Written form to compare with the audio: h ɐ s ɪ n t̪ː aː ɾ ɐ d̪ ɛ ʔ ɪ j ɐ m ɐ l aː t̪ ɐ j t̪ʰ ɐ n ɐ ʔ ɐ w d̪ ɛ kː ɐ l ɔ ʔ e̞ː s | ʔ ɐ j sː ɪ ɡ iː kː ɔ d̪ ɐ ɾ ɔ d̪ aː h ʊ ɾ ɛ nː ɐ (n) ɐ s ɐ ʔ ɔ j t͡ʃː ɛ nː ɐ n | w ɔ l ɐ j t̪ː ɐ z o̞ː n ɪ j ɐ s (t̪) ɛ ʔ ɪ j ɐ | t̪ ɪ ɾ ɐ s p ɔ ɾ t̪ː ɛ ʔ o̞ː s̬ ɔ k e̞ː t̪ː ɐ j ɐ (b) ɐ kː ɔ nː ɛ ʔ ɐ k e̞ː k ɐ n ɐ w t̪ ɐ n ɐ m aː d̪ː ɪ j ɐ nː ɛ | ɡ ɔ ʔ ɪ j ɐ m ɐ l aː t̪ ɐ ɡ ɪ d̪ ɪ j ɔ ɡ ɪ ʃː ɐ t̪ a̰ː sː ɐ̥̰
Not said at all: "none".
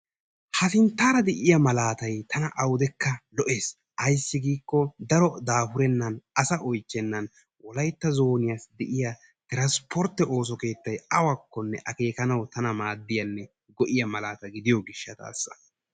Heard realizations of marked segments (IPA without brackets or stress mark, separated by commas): n, d̪, w